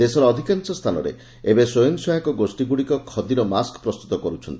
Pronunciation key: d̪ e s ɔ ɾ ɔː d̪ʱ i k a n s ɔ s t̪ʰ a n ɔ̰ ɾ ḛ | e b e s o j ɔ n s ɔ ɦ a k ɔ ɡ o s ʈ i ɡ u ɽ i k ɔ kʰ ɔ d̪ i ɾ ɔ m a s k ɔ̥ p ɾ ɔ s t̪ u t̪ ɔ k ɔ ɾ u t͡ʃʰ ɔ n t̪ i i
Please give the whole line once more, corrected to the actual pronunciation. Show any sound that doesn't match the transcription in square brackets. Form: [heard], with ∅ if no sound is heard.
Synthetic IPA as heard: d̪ e s ɔ ɾ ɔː d̪ʱ i k a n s ɔ s t̪ʰ a n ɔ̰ ɾ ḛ | e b e s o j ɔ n s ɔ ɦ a k ɔ ɡ o s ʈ i ɡ u ɽ i k ɔ kʰ ɔ d̪ i ɾ ɔ m a s k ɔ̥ p ɾ ɔ s t̪ u t̪ ɔ k ɔ ɾ u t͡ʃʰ ɔ n t̪ i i

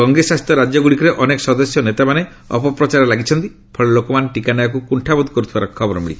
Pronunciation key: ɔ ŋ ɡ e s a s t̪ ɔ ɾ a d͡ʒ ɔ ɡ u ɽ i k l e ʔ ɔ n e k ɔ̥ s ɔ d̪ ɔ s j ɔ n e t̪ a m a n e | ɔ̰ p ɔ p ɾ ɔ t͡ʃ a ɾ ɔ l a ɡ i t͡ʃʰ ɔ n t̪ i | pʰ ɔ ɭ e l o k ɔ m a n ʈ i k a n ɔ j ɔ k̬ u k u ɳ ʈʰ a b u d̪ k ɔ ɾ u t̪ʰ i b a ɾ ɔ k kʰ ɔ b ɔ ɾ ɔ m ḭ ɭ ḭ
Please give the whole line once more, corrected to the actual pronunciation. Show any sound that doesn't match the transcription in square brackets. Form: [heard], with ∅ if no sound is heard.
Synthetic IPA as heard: ɔ ŋ ɡ e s a s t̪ ɔ ɾ a d͡ʒ ɔ ɡ u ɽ i k [ɾ] e ʔ ɔ n e k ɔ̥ s ɔ d̪ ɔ s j ɔ n e t̪ a m a n e | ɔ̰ p ɔ p ɾ ɔ t͡ʃ a ɾ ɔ l a ɡ i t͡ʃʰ ɔ n t̪ i | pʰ ɔ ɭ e l o k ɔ m a n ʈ i k a n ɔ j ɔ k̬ u k u ɳ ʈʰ a b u d̪ k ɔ ɾ u t̪ʰ i b a ɾ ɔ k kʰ ɔ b ɔ ɾ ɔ m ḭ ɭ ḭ

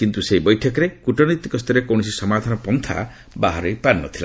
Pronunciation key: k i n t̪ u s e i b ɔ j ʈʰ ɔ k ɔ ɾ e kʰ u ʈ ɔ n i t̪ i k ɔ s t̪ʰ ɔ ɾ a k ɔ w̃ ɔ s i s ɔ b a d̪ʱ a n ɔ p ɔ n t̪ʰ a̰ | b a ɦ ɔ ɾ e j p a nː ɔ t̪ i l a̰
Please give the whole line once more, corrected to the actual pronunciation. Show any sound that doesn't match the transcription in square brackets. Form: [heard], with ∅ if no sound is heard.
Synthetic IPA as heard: k i n t̪ u s e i b ɔ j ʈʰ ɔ k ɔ ɾ e [k] u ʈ ɔ n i t̪ i k ɔ s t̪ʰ ɔ ɾ [e] k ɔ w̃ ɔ s i s ɔ [m] a d̪ʱ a n ɔ p ɔ n t̪ʰ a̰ | b a ɦ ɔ ɾ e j p a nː ɔ [t̪ʰ] i l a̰

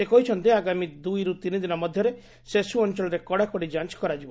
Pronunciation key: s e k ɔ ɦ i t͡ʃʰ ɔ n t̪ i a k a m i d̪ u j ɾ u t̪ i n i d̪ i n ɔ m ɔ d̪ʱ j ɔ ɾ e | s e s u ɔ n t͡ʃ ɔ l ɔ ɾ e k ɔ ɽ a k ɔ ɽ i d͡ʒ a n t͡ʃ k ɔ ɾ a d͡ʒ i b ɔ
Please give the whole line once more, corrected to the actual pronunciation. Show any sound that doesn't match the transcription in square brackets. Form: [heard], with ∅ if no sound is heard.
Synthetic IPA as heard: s e k ɔ ɦ i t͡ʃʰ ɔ n t̪ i a [ɡ] a m i d̪ u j ɾ u t̪ i n i d̪ i n ɔ m ɔ d̪ʱ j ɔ ɾ e | s e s u ɔ n t͡ʃ ɔ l ɔ ɾ e k ɔ ɽ a k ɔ ɽ i d͡ʒ a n t͡ʃ k ɔ ɾ a d͡ʒ i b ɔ

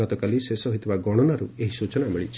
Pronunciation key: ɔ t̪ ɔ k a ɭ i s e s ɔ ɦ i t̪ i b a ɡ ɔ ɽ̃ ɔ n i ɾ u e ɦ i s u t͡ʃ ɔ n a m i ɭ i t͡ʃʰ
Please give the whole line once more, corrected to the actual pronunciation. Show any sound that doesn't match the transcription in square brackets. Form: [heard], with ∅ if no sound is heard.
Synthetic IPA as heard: ɔ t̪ ɔ k a [l] i s e s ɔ ɦ i t̪ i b a ɡ ɔ ɽ̃ ɔ n [a] ɾ u e ɦ i s u t͡ʃ ɔ n a m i ɭ i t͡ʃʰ

